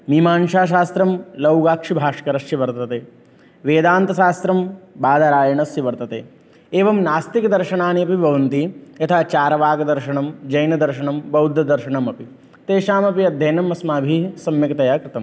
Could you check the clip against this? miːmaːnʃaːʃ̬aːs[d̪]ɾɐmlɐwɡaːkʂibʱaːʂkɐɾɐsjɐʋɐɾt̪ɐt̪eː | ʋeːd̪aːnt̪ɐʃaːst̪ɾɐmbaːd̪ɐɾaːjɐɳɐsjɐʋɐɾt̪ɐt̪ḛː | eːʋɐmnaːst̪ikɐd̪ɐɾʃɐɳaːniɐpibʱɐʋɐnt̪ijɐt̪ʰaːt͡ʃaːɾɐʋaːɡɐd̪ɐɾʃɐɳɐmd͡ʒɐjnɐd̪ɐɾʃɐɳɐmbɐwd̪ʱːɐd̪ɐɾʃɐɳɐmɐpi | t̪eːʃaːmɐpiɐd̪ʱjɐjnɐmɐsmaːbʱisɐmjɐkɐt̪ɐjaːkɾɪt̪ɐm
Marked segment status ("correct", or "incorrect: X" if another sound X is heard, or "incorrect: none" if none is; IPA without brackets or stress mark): incorrect: t̪